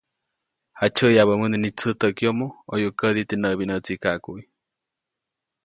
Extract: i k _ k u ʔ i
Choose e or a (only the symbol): a